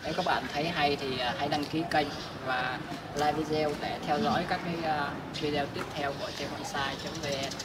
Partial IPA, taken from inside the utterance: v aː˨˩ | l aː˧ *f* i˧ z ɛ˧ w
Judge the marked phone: incorrect: v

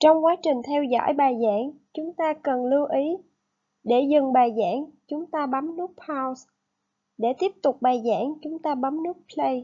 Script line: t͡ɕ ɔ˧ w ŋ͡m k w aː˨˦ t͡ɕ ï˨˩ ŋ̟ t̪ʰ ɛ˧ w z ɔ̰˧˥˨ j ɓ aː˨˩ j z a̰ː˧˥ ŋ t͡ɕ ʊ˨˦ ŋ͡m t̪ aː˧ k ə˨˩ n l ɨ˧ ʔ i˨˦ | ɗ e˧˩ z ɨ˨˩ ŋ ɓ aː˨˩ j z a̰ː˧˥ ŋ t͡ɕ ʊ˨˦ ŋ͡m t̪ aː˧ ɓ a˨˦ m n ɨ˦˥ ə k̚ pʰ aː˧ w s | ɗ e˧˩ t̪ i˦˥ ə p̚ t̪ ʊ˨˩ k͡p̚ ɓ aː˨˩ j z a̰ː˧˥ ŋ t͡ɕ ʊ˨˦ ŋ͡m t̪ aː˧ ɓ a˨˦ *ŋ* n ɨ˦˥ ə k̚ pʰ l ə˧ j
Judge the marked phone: incorrect: m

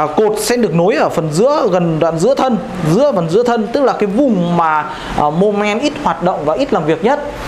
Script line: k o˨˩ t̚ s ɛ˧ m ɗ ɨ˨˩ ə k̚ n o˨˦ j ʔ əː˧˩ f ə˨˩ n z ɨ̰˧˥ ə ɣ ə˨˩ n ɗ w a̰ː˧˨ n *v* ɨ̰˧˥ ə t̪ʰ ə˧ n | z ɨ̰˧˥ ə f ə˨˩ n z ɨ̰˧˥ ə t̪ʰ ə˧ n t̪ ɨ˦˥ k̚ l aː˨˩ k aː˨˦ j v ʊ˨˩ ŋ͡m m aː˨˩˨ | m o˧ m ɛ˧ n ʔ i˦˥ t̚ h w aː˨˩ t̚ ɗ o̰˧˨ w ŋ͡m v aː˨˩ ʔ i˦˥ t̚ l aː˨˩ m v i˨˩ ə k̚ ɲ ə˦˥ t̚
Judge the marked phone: incorrect: z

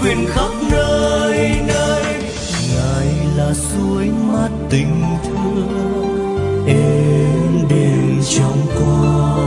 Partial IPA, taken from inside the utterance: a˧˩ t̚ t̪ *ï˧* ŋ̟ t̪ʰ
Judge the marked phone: incorrect: ï˨˩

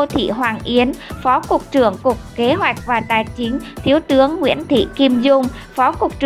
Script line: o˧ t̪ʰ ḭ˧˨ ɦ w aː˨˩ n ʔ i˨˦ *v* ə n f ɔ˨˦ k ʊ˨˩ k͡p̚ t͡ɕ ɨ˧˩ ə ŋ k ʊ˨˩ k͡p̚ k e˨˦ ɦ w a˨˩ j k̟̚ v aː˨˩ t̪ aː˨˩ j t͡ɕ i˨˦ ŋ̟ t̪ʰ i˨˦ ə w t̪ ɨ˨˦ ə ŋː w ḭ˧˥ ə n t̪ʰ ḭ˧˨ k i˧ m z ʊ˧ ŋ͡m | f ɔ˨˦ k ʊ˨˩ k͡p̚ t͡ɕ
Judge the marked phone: incorrect: none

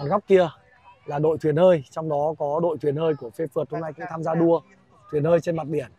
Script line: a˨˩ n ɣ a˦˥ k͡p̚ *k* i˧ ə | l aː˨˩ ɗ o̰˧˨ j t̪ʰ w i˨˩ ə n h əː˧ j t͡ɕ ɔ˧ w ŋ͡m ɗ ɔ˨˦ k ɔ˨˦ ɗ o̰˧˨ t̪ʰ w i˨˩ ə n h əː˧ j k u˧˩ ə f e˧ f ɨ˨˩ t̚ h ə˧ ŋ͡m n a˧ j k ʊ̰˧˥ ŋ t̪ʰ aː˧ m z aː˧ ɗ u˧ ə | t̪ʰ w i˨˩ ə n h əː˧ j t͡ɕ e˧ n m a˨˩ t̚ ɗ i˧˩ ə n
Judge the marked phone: correct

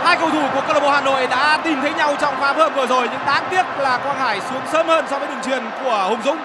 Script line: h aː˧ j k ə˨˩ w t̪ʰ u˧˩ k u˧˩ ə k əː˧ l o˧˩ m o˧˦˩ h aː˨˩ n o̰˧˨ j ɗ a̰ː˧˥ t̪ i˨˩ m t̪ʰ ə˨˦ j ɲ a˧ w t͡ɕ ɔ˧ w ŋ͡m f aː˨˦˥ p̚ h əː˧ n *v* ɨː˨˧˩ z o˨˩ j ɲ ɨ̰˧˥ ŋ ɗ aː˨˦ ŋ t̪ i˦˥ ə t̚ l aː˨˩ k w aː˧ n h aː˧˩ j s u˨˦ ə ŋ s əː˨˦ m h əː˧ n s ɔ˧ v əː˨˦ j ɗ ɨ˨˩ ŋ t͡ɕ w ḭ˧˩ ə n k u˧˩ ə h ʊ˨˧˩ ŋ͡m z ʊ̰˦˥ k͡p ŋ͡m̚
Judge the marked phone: correct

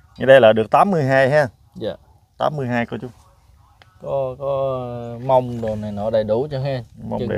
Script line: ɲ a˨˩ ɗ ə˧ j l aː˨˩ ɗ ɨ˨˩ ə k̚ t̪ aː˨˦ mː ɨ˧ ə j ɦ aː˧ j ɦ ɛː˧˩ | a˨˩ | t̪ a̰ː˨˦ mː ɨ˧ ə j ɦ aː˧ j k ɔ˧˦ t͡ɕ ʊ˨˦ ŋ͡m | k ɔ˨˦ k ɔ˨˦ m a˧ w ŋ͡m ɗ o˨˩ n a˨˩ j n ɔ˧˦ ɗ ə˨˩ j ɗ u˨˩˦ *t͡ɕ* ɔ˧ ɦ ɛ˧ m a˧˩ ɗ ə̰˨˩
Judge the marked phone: correct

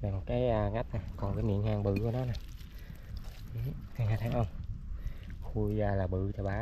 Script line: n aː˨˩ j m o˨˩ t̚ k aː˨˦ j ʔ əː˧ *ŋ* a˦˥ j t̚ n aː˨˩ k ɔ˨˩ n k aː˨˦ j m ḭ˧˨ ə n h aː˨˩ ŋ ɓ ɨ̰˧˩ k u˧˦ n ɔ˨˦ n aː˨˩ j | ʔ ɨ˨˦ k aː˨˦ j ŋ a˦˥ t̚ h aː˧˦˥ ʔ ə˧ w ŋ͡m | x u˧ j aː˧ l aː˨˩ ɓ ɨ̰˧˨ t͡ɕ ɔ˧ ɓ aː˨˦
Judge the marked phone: correct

